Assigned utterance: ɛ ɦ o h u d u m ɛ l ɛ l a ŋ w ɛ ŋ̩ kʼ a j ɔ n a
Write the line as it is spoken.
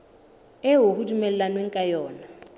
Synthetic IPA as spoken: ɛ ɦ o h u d u m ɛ l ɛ l a n w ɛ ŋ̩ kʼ a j ɔː n a

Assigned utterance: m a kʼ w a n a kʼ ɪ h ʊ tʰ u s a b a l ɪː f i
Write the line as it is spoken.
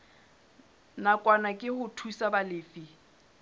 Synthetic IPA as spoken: n a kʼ w a n a kʼ ɪ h ʊ tʰ u s a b a l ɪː f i

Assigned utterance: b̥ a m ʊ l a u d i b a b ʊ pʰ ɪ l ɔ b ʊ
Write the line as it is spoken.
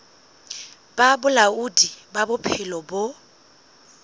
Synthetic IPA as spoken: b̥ a b ʊ l a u d i b a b ʊ pʰ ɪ l ɔ b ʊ

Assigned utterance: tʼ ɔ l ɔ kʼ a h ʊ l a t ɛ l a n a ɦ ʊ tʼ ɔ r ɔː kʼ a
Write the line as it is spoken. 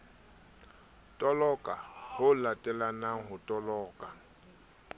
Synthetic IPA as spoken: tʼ ɔ l ɔ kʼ a h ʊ l a tʼ ɛ l a n a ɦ ʊ tʼ ɔ l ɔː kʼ a

